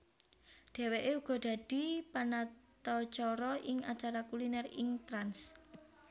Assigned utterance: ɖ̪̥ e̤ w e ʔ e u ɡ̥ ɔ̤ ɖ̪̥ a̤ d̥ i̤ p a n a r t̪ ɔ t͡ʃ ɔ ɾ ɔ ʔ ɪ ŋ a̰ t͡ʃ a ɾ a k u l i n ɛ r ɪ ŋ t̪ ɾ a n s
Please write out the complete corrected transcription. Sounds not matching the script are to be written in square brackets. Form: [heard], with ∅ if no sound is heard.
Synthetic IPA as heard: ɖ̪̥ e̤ w e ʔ e u ɡ̥ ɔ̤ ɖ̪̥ a̤ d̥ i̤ p a n a [∅] t̪ ɔ t͡ʃ ɔ ɾ ɔ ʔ ɪ ŋ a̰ t͡ʃ a ɾ a k u l i n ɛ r ɪ ŋ t̪ ɾ a n s